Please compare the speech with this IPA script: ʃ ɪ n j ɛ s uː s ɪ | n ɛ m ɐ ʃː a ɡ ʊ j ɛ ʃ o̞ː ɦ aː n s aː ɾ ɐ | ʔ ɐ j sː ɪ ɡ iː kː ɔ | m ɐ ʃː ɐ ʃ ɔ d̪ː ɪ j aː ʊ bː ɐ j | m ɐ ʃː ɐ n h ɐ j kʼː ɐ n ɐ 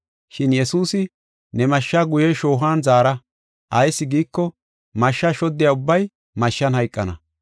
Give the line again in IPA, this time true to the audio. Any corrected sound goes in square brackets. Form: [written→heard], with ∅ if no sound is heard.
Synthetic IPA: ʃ ɪ n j ɛ s uː s ɪ | n ɛ m ɐ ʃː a ɡ ʊ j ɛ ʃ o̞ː ɦ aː n [s→z] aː ɾ ɐ | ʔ ɐ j sː ɪ ɡ iː kː ɔ | m ɐ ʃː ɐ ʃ ɔ d̪ː ɪ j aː ʊ bː ɐ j | m ɐ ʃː ɐ n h ɐ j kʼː ɐ n ɐ

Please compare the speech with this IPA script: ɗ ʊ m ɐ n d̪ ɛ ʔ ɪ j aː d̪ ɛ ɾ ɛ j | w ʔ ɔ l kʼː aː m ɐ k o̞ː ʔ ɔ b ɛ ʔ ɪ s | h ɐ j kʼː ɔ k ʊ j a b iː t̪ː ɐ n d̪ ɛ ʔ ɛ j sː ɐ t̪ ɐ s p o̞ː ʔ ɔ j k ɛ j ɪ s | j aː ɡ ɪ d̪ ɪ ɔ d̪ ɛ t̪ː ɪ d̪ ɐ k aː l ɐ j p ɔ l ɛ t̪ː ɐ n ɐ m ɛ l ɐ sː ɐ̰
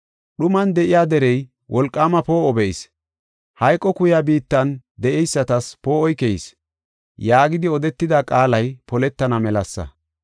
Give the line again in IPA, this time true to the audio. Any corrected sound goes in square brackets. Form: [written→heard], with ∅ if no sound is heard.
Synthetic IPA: ɗ ʊ m ɐ n d̪ ɛ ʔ ɪ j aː d̪ ɛ ɾ ɛ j | w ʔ ɔ l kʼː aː m ɐ [k→p] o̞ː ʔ ɔ b ɛ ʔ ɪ s | h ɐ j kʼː ɔ k ʊ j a b iː t̪ː ɐ n d̪ ɛ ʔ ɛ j sː ɐ t̪ ɐ s p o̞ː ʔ ɔ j k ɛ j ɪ s | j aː ɡ ɪ d̪ ɪ ɔ d̪ ɛ t̪ː ɪ d̪ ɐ [k→kʼ] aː l ɐ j p ɔ l ɛ t̪ː ɐ n ɐ m ɛ l ɐ sː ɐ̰

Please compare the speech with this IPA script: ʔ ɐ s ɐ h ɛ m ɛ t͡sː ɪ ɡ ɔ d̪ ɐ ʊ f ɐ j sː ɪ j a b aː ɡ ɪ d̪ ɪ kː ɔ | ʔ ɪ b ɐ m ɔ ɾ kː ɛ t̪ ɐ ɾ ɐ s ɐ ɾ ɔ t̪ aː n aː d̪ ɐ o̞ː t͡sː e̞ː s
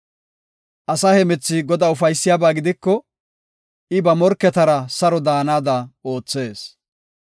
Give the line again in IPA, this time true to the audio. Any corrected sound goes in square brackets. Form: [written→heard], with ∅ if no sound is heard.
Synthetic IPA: ʔ ɐ s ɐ h ɛ m ɛ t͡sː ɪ ɡ ɔ d̪ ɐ ʊ f ɐ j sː ɪ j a b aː ɡ ɪ d̪ ɪ kː ɔ | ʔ ɪ b ɐ m ɔ ɾ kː ɛ t̪ ɐ ɾ ɐ s ɐ ɾ ɔ [t̪→d̪] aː n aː d̪ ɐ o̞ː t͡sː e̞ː s

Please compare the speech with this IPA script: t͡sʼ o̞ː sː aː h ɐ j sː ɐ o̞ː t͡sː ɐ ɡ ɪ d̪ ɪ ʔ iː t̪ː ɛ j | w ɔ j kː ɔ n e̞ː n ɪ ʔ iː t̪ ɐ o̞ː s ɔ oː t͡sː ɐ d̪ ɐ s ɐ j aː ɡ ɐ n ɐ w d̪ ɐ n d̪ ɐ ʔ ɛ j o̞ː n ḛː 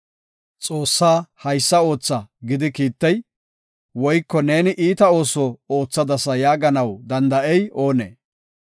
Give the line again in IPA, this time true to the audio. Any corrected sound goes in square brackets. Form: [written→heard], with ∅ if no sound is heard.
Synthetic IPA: t͡sʼ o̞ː sː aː h ɐ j sː ɐ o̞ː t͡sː ɐ ɡ ɪ d̪ ɪ [ʔ→k] iː t̪ː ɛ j | w ɔ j kː ɔ n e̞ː n ɪ ʔ iː t̪ ɐ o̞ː s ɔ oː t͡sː ɐ d̪ ɐ s ɐ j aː ɡ ɐ n ɐ w d̪ ɐ n d̪ ɐ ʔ ɛ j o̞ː n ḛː

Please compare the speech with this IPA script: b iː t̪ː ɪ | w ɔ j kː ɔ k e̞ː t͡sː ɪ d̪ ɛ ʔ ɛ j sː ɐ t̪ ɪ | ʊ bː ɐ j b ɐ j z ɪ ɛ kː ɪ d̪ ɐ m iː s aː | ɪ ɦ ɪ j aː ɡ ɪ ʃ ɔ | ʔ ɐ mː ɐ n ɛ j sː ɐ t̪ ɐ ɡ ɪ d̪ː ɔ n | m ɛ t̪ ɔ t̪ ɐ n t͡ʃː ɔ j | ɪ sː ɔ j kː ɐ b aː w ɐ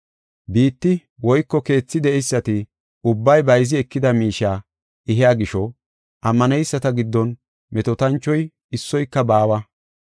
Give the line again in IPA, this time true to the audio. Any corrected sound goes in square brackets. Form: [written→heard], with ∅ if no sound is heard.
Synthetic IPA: b iː t̪ː ɪ | w ɔ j kː ɔ k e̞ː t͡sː ɪ d̪ ɛ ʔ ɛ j sː ɐ t̪ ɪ | ʊ bː ɐ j b ɐ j z ɪ ɛ kː ɪ d̪ ɐ m iː [s→ʃ] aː | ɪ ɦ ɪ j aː ɡ ɪ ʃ ɔ | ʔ ɐ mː ɐ n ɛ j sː ɐ t̪ ɐ ɡ ɪ d̪ː ɔ n | m ɛ t̪ ɔ t̪ ɐ n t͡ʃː ɔ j | ɪ sː ɔ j kː ɐ b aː w ɐ

